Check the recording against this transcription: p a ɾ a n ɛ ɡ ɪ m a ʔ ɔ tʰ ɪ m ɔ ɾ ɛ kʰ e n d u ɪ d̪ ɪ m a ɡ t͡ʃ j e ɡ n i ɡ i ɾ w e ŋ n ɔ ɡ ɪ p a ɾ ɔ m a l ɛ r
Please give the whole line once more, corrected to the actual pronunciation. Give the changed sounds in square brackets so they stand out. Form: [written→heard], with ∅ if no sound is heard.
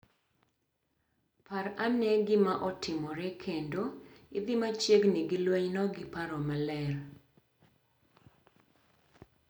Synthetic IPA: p a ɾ a n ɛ ɡ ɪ m a ʔ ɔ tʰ ɪ m ɔ ɾ ɛ kʰ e n d [u→o] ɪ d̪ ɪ m a [ɡ→∅] t͡ʃ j e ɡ n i ɡ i [ɾ→l] w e [ŋ→ɲ] n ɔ ɡ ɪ p a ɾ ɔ m a l ɛ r